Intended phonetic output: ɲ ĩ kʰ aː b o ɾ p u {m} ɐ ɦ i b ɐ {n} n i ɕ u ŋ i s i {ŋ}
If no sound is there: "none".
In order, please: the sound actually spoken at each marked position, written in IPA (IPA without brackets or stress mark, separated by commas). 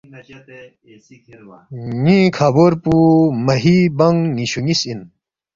m, ŋ, n